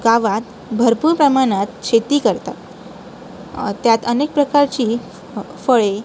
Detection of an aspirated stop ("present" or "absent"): absent